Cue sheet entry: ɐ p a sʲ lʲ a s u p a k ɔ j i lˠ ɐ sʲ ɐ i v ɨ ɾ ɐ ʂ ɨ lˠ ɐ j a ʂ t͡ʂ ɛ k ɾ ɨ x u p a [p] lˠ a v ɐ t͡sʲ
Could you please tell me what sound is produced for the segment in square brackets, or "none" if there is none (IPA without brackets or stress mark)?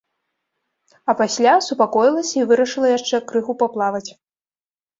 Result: p